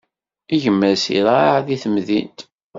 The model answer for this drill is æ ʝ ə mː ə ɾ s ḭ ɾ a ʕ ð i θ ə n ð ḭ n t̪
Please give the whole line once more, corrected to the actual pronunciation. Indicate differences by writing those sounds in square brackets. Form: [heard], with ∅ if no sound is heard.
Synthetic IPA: [i] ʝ ə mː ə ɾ s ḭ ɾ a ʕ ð i θ ə [m] ð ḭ n t̪